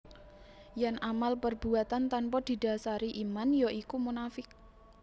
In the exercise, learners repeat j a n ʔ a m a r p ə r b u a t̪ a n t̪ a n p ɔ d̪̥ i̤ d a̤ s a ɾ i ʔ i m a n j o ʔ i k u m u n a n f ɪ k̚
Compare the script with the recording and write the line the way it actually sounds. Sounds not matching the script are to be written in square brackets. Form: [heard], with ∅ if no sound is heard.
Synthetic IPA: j a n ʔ a m a [l] p ə r b u a t̪ a n t̪ a n p ɔ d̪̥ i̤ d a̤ s a ɾ i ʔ i m a n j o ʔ i k u m u n a [∅] f ɪ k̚